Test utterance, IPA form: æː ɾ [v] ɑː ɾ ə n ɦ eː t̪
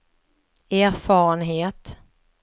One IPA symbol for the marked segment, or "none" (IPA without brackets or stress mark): f